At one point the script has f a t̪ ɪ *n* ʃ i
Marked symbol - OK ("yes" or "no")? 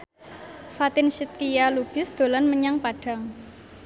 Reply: yes